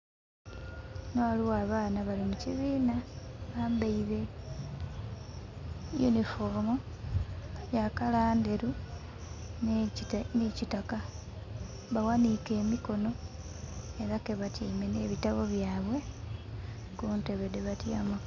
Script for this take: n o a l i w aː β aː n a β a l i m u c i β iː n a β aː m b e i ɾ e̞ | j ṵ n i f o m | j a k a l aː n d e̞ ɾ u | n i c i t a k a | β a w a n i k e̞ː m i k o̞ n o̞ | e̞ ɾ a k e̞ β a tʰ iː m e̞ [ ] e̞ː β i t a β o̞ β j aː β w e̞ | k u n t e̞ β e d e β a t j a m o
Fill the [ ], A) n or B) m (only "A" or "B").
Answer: A